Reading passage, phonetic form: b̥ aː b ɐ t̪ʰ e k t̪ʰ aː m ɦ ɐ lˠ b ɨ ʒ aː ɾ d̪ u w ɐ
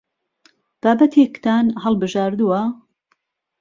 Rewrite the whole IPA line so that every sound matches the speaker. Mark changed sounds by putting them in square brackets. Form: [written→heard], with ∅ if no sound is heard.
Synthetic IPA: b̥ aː b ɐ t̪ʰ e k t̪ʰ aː [m→n] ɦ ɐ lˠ b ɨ ʒ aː ɾ d̪ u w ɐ